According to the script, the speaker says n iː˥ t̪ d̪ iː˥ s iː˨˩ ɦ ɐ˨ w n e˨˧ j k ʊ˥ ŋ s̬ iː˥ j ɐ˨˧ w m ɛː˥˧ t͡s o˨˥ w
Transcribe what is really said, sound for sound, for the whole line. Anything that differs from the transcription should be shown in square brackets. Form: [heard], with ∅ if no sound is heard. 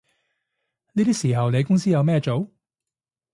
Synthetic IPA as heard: n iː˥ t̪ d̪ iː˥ s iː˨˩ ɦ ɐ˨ w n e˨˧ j k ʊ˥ ŋ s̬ iː˥ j ɐ˨˧ w m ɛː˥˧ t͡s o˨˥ w